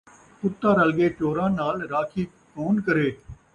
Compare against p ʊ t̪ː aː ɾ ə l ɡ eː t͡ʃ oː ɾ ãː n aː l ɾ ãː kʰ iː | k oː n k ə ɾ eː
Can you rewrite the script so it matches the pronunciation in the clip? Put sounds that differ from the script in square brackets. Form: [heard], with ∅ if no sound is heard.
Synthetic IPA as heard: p ʊ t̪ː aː ɾ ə l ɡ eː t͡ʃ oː ɾ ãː n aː l ɾ [aː] kʰ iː | k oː n k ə ɾ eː